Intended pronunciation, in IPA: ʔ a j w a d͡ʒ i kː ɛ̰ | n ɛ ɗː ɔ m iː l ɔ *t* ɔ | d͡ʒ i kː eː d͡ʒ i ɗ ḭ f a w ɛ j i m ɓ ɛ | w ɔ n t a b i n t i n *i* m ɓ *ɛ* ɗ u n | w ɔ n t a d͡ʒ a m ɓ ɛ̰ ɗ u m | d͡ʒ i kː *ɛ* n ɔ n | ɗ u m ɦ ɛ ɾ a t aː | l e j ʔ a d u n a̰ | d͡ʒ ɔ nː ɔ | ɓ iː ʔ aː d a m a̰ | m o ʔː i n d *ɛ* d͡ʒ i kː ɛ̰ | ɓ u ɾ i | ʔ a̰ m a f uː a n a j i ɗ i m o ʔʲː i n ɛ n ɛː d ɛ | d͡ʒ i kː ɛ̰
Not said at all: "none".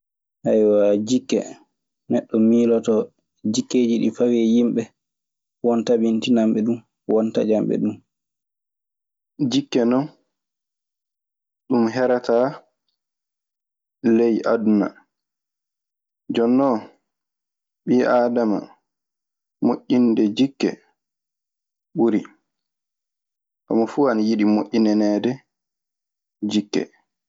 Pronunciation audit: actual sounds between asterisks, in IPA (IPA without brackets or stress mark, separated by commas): t, a, ɛ, ɛ, ɛ